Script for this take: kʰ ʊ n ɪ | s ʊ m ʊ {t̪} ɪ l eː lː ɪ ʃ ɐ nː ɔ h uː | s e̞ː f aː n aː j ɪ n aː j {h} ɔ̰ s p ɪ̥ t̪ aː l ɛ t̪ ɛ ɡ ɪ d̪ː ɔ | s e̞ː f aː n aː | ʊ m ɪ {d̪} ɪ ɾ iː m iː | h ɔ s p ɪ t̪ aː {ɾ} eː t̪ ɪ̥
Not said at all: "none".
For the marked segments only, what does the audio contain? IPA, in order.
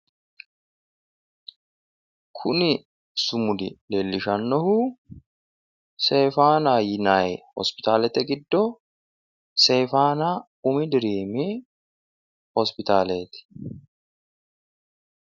d̪, h, d̪, l

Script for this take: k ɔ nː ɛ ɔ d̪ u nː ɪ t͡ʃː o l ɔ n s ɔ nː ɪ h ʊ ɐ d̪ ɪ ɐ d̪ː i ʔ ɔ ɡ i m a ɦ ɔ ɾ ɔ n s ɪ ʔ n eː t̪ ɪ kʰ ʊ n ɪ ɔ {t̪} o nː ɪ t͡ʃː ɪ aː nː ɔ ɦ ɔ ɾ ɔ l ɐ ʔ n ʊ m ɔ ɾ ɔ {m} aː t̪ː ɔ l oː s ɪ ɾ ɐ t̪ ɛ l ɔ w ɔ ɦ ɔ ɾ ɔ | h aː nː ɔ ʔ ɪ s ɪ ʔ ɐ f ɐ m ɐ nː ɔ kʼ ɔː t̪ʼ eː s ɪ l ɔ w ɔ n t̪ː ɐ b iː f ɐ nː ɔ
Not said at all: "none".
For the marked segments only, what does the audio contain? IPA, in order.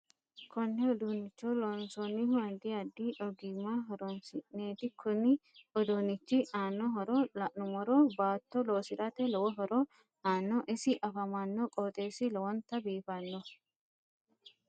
d̪, b

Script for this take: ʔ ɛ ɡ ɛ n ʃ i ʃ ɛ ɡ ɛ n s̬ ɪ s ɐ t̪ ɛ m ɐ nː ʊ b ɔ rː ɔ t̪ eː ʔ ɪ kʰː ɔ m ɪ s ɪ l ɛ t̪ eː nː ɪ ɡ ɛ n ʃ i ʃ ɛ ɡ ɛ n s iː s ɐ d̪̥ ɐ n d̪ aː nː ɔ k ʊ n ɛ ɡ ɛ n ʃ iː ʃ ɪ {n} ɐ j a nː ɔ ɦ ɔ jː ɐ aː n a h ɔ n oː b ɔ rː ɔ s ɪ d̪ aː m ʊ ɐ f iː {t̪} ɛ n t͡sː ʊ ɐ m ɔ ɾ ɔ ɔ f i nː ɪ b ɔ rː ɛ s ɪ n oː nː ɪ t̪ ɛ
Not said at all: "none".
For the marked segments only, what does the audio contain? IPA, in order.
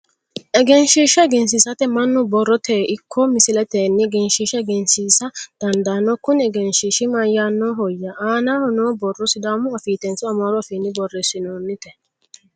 m, t̪

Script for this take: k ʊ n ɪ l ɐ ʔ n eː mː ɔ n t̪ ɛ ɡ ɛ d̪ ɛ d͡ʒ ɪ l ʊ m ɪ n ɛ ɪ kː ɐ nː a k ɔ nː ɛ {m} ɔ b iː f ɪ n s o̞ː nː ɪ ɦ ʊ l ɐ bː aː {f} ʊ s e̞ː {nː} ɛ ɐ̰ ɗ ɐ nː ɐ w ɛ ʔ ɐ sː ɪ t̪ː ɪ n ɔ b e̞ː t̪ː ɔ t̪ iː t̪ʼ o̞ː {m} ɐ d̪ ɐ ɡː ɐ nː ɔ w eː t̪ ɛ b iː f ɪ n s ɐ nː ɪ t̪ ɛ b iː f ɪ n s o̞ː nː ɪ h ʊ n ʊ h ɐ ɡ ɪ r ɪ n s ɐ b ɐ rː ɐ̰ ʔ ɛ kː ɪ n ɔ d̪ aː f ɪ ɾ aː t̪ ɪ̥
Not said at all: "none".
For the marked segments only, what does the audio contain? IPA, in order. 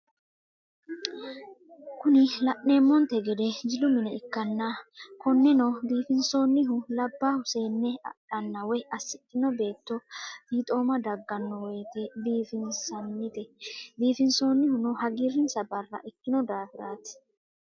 n, h, nː, m

